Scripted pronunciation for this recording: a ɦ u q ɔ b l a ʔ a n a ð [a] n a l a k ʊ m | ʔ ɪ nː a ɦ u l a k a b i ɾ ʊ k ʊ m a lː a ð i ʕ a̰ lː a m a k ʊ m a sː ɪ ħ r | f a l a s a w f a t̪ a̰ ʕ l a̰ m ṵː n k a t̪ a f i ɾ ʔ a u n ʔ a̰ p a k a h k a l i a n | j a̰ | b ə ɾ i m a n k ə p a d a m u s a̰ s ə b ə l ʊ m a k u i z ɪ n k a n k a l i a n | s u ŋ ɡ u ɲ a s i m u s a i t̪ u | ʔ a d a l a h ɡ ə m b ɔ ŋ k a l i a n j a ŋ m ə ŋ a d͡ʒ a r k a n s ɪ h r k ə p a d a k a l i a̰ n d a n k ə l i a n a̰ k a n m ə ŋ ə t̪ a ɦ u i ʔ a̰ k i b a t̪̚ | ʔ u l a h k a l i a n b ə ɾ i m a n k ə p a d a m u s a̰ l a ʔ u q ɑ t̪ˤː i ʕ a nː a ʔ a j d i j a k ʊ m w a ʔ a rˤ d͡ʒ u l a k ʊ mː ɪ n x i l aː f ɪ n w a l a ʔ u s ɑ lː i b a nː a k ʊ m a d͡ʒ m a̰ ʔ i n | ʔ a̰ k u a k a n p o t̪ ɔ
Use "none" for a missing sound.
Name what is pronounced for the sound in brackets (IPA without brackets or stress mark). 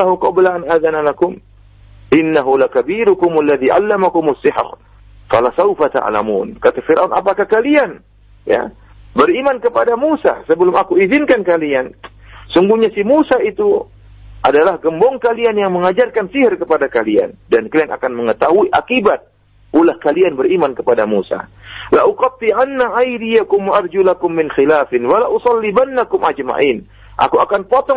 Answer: a